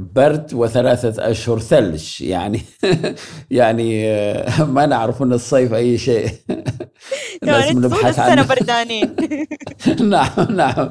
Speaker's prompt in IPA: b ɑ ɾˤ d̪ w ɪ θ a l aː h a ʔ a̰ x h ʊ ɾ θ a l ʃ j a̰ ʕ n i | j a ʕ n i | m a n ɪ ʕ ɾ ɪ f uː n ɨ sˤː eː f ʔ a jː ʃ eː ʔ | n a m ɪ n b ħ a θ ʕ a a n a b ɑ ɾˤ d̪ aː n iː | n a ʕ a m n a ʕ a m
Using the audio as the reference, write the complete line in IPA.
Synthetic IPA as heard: b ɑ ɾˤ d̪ w ɪ θ a l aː θ a ʔ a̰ ʃ h ʊ ɾ θ a l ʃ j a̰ ʕ n i | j a ʕ n i | m a n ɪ ʕ ɾ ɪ f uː n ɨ sˤː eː f ʔ a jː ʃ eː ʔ | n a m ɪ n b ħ a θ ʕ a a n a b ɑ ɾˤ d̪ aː n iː | n a ʕ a m n a ʕ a m